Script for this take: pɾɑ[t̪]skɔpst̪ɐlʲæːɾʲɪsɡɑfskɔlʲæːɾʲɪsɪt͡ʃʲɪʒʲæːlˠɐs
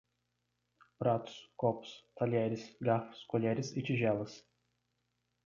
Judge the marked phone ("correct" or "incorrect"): correct